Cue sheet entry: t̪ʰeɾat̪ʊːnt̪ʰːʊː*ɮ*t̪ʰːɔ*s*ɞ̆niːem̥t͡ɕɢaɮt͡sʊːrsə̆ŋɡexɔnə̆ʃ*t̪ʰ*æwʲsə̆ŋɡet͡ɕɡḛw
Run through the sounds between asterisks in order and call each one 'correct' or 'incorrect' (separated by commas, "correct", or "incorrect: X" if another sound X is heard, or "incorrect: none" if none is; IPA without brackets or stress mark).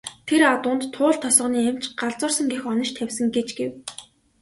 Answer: correct, correct, correct